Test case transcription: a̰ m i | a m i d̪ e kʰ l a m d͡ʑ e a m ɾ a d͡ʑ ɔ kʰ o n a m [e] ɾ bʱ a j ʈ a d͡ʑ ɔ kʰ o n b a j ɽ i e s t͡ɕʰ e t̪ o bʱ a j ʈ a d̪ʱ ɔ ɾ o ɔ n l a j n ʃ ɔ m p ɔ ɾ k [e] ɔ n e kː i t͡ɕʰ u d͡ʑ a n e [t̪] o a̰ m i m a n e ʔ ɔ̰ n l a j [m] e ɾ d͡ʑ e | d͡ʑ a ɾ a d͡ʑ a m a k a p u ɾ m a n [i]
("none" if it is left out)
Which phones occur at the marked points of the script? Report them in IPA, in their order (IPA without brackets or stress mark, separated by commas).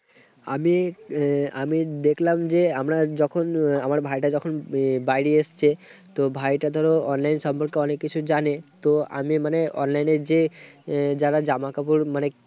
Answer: a, e, t̪, n, e